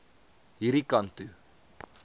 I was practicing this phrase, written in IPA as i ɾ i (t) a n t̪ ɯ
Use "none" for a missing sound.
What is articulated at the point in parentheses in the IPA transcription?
k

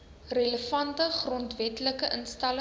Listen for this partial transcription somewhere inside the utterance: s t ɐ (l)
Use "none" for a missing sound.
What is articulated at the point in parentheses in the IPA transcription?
l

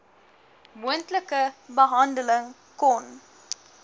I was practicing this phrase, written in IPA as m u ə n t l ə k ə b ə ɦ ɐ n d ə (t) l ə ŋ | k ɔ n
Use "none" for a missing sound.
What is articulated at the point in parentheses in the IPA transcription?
none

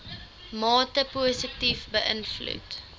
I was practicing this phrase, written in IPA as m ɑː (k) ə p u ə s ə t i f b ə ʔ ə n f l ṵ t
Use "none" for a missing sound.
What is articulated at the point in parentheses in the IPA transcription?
t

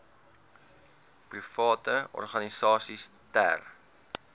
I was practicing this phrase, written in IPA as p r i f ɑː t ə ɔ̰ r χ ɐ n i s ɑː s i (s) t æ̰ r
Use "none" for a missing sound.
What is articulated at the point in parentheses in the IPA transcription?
s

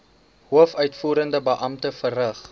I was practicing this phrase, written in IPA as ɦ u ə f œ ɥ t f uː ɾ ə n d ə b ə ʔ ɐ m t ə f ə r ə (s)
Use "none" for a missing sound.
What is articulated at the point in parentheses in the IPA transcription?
χ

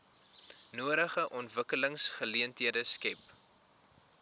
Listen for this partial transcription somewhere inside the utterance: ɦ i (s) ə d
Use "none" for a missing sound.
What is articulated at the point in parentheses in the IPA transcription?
none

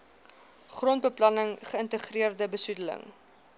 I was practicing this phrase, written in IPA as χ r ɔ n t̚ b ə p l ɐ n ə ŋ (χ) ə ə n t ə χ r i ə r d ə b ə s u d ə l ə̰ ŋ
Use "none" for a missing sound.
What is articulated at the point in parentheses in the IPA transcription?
χ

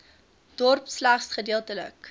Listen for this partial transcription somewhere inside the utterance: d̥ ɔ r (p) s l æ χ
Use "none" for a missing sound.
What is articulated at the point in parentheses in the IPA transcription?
p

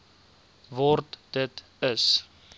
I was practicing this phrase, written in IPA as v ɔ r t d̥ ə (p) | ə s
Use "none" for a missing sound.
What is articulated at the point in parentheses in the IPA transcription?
t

